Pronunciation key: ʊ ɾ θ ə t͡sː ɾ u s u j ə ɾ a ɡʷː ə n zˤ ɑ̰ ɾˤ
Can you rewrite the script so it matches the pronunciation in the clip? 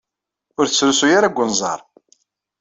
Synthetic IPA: ʊ ɾ θ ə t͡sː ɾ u s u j a ɾ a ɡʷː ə n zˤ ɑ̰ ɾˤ